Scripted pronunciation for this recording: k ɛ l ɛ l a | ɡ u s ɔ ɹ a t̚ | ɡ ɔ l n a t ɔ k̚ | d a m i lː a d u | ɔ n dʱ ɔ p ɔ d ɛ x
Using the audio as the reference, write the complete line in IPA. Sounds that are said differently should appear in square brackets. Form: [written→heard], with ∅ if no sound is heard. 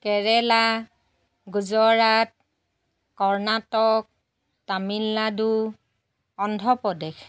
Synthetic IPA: k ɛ [l→ɹ] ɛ l a | ɡ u [s→z] ɔ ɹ a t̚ | [ɡ→k] ɔ [l→ɹ] n a t ɔ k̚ | [d→t] a m i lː a d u | ɔ n dʱ ɔ p ɔ d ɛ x